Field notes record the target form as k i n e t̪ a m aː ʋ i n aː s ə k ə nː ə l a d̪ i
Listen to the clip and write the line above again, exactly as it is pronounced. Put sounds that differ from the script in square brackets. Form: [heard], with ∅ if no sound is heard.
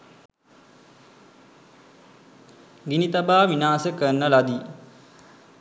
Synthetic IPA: [ɡ] i n [i] t̪ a [b] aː ʋ i n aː s ə k ə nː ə l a d̪ i